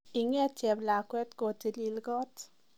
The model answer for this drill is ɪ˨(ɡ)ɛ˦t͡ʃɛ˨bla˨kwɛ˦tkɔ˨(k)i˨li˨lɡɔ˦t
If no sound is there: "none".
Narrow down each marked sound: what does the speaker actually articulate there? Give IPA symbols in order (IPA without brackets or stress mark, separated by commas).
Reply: ŋ, t